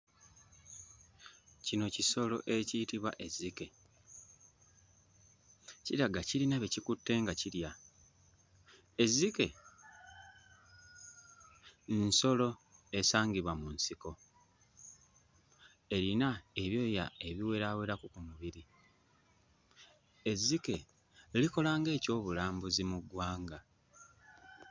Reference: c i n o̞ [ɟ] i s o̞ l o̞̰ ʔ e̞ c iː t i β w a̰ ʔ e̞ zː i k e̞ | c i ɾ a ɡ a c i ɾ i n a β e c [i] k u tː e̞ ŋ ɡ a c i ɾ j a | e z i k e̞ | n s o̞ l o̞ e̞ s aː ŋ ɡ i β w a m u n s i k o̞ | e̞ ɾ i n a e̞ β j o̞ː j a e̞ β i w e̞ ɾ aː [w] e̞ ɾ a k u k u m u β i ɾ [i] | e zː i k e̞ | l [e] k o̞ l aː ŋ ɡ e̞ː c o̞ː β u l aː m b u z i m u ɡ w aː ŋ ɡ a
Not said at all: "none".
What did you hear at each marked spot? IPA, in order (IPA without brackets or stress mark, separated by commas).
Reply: c, i, w, i, i